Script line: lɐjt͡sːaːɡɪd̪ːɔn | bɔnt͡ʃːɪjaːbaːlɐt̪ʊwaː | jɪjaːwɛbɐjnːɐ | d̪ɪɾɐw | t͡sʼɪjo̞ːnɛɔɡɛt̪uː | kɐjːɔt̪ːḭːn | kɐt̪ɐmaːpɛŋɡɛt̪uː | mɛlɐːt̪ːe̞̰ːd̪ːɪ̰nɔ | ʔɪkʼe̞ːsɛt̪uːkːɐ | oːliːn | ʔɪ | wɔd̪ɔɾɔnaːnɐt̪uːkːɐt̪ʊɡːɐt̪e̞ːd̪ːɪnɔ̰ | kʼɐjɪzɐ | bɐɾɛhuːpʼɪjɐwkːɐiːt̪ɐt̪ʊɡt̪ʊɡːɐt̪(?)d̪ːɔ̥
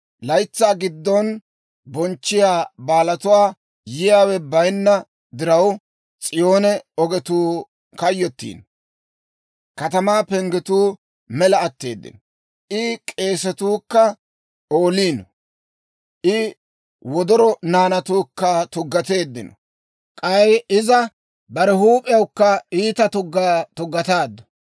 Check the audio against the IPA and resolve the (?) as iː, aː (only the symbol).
aː